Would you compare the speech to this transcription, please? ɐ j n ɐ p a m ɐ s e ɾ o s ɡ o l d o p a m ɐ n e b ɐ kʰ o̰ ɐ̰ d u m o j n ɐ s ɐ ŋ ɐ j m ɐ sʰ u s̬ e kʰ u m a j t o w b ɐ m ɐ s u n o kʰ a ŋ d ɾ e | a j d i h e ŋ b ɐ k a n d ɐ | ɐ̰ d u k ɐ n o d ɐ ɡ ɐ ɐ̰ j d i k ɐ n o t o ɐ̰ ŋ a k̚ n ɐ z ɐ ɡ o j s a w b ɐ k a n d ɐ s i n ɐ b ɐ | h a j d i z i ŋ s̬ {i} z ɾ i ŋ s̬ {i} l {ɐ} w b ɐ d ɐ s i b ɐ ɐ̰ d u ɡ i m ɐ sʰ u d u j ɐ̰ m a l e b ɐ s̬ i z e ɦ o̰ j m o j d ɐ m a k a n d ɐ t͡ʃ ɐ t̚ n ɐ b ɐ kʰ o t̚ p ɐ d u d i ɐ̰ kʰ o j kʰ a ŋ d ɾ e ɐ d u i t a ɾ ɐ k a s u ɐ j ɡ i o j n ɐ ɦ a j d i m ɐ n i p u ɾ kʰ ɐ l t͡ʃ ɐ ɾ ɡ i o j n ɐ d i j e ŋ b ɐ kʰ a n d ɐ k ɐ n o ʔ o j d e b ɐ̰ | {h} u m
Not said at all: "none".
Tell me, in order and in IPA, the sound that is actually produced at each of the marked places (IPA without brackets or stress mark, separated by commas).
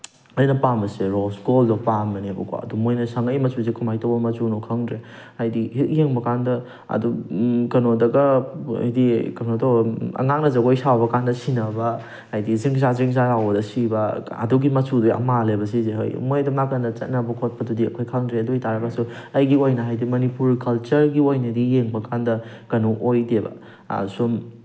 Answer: a, a, a, s